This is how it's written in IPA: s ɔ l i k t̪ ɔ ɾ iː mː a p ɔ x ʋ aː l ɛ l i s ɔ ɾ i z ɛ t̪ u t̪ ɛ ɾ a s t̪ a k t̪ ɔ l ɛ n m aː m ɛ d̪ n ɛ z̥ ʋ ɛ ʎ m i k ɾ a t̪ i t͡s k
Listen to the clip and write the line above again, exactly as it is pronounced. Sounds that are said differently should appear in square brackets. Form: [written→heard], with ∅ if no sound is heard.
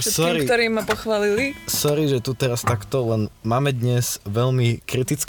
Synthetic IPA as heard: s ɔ [l→ɾ] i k t̪ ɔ ɾ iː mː a p ɔ x ʋ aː l [ɛ→i] l i s ɔ ɾ i [z→ʒ] ɛ t̪ u t̪ ɛ ɾ a s t̪ a k t̪ ɔ l ɛ n m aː m ɛ d̪ [n→ɲ] ɛ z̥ ʋ ɛ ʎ m i k ɾ [a→i] t̪ i t͡s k